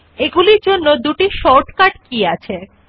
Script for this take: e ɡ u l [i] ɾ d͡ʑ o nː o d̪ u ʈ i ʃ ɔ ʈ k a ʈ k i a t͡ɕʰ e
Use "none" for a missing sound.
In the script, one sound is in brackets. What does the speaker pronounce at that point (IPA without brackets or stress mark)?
i